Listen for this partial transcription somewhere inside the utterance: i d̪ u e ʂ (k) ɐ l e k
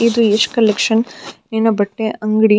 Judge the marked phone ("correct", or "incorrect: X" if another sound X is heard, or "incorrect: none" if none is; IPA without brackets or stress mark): correct